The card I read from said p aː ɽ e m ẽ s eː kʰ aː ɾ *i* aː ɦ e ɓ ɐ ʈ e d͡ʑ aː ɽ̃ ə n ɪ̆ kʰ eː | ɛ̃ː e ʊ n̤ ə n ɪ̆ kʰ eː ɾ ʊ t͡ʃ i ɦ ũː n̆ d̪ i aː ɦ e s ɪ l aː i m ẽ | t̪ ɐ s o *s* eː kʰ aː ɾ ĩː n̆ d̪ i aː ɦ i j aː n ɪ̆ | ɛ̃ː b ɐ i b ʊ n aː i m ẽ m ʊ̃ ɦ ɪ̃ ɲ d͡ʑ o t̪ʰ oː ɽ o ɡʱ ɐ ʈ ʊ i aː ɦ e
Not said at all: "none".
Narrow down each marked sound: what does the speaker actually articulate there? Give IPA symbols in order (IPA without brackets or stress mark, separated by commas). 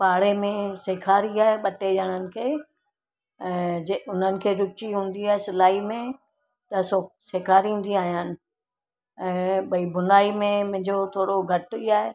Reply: i, s